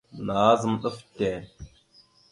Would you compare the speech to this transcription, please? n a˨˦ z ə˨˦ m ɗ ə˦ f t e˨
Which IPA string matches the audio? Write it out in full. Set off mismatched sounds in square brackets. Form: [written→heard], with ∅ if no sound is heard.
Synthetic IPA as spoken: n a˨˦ z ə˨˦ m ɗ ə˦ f t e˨